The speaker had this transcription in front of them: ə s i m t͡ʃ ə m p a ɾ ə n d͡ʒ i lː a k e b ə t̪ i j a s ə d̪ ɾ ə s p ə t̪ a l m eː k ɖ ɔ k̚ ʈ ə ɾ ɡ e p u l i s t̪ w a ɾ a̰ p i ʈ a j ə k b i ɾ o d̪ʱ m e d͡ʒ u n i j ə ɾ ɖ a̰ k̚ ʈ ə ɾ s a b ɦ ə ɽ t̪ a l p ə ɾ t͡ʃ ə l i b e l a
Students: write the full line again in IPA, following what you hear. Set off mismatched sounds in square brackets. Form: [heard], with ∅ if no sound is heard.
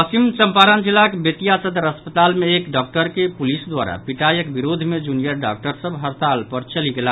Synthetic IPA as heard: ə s i m t͡ʃ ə m p a ɾ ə n d͡ʒ i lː a k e b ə t̪ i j a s ə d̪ ɾ ə s p ə t̪ a l m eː k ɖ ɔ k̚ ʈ ə ɾ [k] e p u l i s [d̪] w a ɾ a̰ p i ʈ a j ə k b i ɾ o d̪ʱ m e d͡ʒ u n i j ə ɾ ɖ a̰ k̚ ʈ ə ɾ s [ə] b ɦ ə [ɾ] t̪ a l p ə ɾ t͡ʃ ə l i [ɡ] e l a